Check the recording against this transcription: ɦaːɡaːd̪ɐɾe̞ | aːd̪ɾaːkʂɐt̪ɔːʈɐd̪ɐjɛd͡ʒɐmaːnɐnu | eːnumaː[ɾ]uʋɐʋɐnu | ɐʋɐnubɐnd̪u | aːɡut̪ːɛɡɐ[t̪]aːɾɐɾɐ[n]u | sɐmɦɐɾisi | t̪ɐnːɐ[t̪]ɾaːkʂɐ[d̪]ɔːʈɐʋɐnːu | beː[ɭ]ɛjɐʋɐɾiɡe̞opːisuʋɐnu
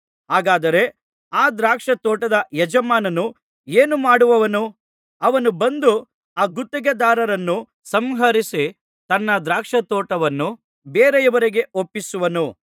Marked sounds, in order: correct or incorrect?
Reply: incorrect: ɽ, incorrect: d̪, incorrect: nː, incorrect: d̪, incorrect: t̪, incorrect: ɾ

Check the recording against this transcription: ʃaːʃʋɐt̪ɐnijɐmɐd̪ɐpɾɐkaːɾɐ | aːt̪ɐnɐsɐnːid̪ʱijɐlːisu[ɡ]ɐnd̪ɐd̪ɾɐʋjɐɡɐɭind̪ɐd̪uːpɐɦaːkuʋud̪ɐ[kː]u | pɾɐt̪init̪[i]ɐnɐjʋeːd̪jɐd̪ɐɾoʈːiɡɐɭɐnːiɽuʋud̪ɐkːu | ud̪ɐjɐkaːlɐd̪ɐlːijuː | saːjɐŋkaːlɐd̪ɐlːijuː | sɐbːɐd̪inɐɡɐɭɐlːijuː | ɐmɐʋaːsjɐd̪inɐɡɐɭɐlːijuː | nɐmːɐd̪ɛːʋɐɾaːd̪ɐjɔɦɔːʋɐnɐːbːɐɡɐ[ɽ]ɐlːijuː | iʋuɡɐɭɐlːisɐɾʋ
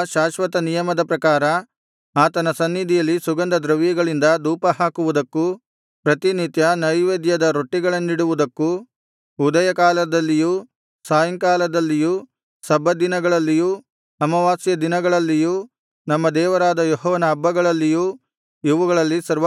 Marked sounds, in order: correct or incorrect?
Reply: correct, correct, incorrect: j, incorrect: ɭ

